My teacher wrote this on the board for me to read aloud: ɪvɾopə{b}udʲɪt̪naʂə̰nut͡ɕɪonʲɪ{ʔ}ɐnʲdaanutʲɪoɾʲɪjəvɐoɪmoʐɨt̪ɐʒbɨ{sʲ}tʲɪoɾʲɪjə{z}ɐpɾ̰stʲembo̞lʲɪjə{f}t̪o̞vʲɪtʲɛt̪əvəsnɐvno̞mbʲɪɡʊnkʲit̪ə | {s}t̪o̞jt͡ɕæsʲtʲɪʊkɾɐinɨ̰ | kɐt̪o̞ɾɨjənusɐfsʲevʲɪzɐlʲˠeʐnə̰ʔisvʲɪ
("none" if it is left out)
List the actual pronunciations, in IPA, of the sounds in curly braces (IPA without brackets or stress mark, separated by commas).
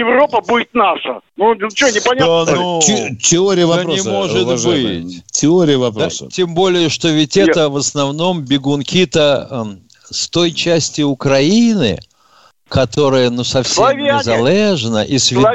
b, p, tʲ, v, ʂ, s